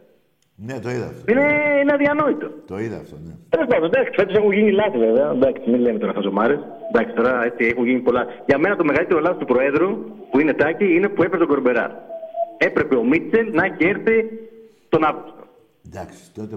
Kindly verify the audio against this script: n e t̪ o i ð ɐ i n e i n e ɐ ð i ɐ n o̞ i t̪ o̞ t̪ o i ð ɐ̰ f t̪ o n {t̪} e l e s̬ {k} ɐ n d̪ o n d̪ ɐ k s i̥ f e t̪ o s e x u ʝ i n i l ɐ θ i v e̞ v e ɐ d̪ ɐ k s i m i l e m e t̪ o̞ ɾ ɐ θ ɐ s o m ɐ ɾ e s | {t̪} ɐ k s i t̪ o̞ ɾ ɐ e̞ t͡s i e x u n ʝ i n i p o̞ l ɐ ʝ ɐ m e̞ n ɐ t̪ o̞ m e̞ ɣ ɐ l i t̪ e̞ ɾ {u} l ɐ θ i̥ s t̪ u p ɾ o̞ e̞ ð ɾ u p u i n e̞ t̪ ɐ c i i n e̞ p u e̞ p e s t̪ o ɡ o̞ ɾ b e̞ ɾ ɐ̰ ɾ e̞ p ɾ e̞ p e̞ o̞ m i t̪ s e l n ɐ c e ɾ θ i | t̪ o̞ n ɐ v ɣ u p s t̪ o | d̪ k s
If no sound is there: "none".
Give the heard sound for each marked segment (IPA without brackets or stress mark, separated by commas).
t̪, p, d̪, o